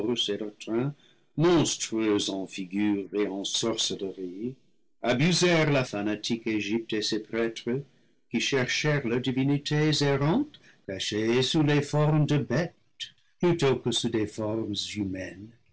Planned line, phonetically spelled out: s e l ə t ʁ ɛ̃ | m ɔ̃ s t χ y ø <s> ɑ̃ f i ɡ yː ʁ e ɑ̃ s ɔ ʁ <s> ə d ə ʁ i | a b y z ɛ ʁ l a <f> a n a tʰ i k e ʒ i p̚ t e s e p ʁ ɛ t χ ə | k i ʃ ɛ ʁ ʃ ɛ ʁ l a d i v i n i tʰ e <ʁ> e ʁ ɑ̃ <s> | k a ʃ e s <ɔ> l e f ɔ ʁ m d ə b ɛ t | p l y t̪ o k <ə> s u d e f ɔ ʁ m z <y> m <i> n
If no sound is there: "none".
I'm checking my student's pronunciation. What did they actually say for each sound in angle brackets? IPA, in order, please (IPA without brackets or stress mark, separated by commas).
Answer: z, s, f, z, t, u, ə, y, ɛ